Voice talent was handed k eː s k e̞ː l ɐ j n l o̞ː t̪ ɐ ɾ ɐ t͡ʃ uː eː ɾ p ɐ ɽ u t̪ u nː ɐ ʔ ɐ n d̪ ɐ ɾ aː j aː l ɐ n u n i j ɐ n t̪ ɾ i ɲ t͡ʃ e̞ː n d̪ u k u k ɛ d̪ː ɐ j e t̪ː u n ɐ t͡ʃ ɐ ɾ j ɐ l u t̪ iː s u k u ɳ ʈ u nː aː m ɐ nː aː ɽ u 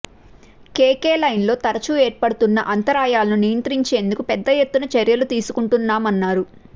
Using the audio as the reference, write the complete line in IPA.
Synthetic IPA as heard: k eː k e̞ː l ɐ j n l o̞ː t̪ ɐ ɾ ɐ t͡ʃ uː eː ɾ p ɐ ɽ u t̪ u nː ɐ ʔ ɐ n t̪ ɐ ɾ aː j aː l ɐ n u n i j ɐ n t̪ ɾ i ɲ t͡ʃ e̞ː n d̪ u k u p ɛ d̪ː ɐ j e t̪ː u n ɐ t͡ʃ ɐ ɾ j ɐ l u t̪ iː s u k u ɳ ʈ u nː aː m ɐ nː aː ɾ u